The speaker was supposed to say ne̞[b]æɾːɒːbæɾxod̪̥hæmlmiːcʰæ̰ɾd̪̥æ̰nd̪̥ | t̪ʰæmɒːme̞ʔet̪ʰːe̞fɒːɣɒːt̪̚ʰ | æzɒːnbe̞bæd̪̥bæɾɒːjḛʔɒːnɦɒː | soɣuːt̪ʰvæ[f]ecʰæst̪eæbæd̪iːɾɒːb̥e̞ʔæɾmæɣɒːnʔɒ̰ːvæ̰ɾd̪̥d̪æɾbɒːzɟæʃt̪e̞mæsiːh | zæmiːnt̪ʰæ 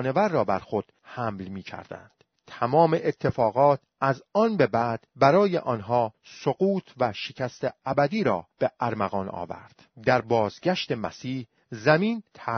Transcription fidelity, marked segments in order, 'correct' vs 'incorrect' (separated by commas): incorrect, incorrect